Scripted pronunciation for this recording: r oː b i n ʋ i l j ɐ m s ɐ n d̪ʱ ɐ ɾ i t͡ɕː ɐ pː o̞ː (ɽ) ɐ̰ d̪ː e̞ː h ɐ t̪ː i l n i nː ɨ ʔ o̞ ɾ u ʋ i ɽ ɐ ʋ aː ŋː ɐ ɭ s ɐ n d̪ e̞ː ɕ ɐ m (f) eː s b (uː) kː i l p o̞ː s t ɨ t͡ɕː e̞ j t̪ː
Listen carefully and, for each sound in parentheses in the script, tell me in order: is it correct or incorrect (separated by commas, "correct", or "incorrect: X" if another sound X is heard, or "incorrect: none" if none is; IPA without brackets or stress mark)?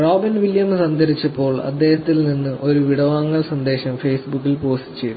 incorrect: ɭ, correct, incorrect: u